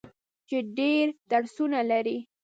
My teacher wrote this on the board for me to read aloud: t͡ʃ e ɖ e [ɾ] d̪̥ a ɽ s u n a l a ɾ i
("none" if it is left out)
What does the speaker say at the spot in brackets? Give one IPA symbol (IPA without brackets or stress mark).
ɾ